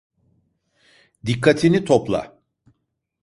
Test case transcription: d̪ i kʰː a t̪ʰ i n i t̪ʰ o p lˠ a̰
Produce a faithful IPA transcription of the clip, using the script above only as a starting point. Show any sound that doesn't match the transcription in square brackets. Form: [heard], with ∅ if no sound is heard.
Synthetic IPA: d̪ i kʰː a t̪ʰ i n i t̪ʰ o p lˠ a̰